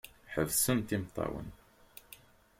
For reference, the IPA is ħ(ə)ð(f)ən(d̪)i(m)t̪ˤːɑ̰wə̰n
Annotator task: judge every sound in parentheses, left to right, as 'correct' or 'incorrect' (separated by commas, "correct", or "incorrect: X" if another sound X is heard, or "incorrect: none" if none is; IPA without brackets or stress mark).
correct, incorrect: s, incorrect: t̪, correct